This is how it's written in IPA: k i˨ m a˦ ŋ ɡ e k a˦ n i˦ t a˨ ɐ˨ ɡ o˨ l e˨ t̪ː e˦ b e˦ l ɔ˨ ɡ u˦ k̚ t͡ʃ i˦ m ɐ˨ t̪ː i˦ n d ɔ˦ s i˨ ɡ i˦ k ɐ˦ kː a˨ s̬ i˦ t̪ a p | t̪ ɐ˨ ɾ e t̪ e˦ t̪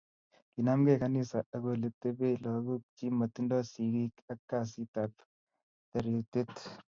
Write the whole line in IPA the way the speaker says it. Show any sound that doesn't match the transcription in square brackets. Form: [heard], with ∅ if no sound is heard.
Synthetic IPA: k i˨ [n] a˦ [m] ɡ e k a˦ n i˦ [s] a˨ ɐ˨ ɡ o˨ l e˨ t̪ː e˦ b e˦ l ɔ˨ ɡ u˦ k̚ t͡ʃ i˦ m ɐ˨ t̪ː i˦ n d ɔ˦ s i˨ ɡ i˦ k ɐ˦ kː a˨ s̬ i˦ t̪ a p | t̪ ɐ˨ ɾ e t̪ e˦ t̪